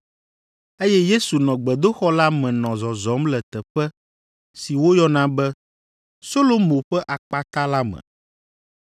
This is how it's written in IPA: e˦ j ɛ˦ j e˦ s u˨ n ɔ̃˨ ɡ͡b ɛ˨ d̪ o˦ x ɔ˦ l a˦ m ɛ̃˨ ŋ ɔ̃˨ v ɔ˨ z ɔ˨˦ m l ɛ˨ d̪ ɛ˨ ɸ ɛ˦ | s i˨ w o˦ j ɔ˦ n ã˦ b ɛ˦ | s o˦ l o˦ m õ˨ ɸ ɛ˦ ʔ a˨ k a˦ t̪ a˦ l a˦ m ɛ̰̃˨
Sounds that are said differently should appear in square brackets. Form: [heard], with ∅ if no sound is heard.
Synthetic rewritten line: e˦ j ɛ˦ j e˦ s u˨ n ɔ̃˨ ɡ͡b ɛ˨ d̪ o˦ x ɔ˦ l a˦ m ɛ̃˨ [n] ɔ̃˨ [z] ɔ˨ z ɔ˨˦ m l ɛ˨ [t̪] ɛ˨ ɸ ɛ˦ | s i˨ w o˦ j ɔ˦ n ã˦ b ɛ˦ | s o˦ l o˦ m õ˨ ɸ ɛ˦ ʔ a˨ [k͡p] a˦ t̪ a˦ l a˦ m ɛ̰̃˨